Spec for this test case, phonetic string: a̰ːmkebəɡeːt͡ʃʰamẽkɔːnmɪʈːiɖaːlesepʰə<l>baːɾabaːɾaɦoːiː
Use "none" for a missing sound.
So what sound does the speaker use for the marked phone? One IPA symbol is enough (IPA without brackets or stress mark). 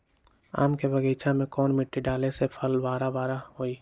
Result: l